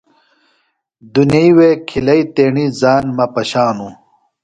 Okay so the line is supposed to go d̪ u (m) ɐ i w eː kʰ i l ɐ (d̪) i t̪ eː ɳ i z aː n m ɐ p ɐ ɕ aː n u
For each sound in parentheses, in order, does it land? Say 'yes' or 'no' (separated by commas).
no, no